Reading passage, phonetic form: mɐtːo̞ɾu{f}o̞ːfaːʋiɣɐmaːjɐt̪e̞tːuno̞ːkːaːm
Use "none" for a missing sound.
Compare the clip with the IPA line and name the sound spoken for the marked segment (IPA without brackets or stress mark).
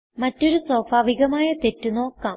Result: s